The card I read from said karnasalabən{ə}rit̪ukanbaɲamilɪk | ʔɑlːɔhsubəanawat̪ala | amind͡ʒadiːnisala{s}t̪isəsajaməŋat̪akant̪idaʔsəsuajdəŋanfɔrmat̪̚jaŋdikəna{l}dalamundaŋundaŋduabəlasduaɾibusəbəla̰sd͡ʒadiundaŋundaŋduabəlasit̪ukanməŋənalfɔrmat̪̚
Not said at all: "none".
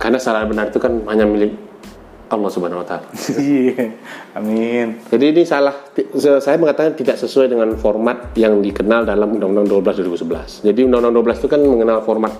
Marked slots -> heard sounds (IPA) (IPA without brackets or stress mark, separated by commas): a, h, l